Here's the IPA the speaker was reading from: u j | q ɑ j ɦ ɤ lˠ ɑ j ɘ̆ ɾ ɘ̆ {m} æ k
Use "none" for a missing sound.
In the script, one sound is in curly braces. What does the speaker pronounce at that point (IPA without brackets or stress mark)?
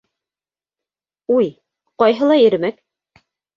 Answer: m